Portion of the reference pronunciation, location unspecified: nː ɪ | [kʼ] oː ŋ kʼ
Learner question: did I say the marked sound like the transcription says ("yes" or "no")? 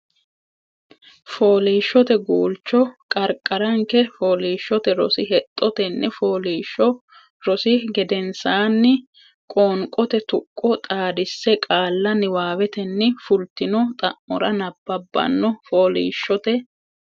yes